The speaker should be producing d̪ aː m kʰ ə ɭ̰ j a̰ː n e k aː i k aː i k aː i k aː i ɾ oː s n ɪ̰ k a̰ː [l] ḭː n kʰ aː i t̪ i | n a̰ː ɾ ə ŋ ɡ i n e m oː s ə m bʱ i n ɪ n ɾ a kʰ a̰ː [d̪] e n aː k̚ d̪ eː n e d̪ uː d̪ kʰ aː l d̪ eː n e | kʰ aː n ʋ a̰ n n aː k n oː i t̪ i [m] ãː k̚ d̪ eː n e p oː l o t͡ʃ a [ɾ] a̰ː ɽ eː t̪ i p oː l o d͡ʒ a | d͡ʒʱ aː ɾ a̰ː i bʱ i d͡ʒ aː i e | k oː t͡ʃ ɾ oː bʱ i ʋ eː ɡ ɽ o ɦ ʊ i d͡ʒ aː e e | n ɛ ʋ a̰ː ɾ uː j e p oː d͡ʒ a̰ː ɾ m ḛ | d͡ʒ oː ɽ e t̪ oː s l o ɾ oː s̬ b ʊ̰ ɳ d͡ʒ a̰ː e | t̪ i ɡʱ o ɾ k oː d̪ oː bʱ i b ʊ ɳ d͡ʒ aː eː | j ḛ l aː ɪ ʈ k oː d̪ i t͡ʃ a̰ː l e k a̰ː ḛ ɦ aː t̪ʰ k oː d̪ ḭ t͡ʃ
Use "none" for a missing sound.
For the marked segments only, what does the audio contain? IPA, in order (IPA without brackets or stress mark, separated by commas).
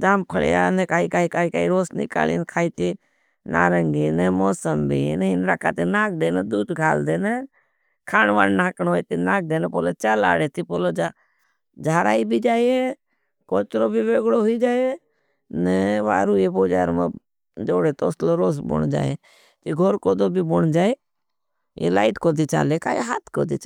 l, t̪, n, l